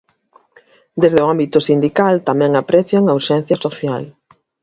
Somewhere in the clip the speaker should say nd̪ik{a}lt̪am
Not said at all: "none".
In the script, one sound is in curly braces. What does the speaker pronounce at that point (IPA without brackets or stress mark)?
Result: a